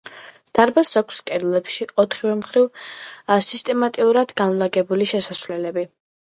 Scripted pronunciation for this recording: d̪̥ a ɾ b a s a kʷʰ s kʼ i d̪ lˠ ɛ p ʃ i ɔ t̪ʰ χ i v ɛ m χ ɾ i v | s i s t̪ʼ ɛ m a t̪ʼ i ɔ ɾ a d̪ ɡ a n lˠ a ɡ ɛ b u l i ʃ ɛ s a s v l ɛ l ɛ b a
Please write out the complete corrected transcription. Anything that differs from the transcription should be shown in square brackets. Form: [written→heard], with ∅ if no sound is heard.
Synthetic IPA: d̪̥ a ɾ b a s a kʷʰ s kʼ [i→ɛ] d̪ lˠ ɛ p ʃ i ɔ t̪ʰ χ i v ɛ m χ ɾ i v | s i s t̪ʼ ɛ m a t̪ʼ i [ɔ→u] ɾ a d̪ ɡ a n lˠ a ɡ ɛ b u l i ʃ ɛ s a s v l ɛ l ɛ b [a→i]